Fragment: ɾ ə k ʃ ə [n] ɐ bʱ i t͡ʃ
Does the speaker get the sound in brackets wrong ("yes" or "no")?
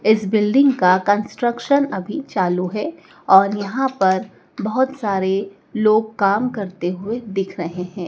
no